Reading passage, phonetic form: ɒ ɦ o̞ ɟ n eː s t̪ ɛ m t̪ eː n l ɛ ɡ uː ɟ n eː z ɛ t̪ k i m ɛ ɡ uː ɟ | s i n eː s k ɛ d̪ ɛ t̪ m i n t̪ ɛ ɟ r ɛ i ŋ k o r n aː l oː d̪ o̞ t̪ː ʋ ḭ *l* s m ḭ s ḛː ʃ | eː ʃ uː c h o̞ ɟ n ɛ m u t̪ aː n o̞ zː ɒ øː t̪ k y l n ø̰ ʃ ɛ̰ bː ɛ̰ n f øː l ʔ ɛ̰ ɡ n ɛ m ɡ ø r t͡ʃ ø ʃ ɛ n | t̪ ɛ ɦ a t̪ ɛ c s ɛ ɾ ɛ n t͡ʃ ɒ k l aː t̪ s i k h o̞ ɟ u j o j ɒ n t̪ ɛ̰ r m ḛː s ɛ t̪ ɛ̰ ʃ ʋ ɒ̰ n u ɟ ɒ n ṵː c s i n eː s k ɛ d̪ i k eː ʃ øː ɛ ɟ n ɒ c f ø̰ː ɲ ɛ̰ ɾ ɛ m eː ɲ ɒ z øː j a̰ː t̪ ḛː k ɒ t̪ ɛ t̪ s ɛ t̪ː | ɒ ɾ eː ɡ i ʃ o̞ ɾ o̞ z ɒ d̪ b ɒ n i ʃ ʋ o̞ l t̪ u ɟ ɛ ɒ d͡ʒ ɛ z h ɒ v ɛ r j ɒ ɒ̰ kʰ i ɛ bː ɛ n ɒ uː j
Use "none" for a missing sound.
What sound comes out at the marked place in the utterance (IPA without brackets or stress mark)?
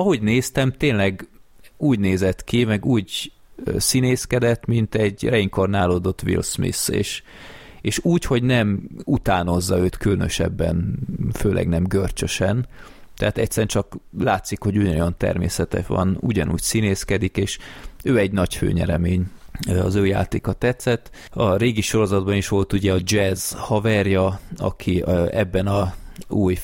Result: l